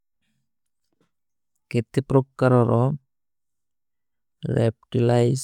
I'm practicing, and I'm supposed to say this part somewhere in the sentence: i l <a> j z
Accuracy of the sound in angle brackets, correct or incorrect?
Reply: correct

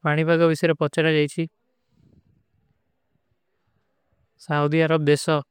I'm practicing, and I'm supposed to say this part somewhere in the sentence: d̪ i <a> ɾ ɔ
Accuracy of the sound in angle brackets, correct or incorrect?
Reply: correct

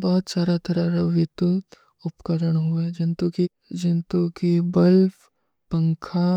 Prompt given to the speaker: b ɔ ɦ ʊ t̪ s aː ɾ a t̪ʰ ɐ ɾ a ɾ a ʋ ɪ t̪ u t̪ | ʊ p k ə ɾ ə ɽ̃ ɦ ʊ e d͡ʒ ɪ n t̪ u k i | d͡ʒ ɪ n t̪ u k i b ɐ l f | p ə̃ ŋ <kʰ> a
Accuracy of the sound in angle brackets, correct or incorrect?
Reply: correct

